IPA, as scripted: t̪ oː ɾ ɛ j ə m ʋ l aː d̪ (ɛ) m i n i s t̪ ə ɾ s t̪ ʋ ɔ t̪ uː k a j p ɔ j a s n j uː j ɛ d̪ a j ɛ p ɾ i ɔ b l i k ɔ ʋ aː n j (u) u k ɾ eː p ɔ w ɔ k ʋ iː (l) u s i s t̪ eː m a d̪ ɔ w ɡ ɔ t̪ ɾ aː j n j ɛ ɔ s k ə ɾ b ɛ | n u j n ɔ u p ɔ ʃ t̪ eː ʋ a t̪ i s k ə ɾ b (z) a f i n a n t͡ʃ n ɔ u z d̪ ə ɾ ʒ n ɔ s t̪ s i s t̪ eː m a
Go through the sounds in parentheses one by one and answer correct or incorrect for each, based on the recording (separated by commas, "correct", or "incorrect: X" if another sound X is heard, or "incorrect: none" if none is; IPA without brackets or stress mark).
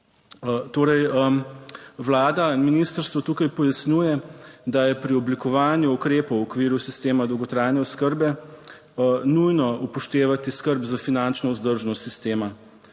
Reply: incorrect: a, correct, incorrect: ɾ, correct